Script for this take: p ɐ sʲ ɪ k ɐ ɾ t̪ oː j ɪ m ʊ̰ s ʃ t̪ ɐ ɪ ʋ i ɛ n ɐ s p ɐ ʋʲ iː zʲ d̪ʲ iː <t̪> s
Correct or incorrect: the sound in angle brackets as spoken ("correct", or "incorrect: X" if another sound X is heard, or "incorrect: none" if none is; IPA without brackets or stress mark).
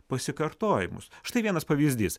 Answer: incorrect: none